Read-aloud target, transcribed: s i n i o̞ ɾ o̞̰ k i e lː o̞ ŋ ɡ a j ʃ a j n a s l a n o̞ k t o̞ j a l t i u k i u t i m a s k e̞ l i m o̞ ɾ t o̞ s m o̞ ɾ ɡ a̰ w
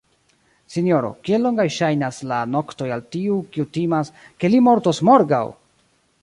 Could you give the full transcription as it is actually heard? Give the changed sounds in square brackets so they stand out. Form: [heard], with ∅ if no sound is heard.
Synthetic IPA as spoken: s i n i o̞ ɾ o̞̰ k i e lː o̞ ŋ ɡ a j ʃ a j n a s l a n o̞ k t o̞ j a l t i u k i u t i m a s k e̞ l i m o̞ ɾ t o̞ s m o̞ ɾ ɡ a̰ w